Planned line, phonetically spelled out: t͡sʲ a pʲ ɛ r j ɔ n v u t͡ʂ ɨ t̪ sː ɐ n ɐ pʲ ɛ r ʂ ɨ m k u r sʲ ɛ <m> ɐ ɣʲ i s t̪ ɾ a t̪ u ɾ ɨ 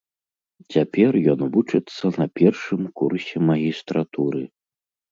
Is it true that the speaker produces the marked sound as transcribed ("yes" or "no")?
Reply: yes